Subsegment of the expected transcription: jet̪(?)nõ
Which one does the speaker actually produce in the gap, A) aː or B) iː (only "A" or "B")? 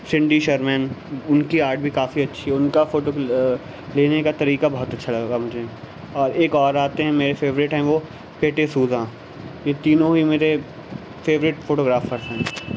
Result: B